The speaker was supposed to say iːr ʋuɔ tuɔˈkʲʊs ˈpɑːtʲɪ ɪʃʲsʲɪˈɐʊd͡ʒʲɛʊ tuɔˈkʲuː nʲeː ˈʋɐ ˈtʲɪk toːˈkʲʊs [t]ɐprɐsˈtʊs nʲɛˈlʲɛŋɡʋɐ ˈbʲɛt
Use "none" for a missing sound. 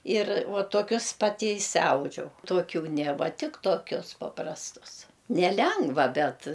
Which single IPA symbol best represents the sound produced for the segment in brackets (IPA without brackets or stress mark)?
p